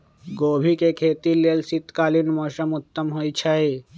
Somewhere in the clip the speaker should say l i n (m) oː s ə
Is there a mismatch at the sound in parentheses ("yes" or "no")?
no